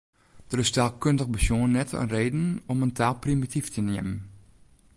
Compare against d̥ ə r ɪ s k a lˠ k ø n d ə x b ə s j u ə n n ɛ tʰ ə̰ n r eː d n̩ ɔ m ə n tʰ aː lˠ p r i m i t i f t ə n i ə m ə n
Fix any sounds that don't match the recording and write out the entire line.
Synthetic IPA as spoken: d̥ ə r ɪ s t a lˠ k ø n d ə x b ə s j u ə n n ɛ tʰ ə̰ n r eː d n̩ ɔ m ə n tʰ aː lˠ p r i m i t i f t ə n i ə m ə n